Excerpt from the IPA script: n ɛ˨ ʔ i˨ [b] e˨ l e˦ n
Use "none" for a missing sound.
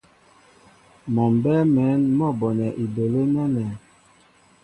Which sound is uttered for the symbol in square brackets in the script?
b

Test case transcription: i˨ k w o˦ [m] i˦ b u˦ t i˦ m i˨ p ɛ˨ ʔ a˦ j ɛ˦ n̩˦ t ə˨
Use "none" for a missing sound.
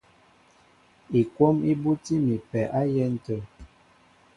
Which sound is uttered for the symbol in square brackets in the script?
m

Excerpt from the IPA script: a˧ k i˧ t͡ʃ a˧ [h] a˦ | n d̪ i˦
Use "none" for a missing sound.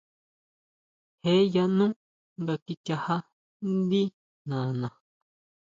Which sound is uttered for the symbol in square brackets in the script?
h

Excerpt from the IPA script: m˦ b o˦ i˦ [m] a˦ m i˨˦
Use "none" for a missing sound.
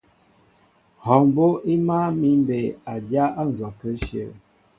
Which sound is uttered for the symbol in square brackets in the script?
m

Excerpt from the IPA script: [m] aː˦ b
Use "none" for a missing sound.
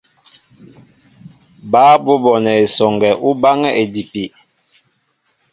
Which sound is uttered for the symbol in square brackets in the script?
b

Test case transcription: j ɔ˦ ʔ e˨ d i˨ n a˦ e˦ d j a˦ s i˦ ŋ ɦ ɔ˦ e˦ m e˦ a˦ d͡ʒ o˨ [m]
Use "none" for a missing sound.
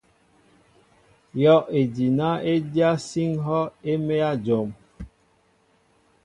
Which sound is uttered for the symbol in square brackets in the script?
m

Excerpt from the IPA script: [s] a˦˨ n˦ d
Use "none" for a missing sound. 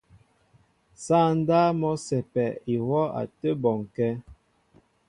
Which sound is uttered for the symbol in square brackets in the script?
s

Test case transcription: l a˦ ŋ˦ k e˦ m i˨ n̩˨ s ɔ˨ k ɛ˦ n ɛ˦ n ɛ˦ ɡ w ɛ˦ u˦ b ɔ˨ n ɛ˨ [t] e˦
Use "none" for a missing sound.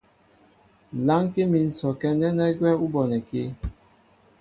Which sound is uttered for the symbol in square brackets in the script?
k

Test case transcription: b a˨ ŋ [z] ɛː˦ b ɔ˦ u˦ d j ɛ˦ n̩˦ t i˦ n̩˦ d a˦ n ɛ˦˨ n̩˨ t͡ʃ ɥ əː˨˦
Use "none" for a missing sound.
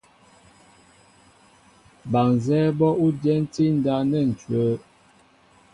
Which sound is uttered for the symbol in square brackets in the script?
z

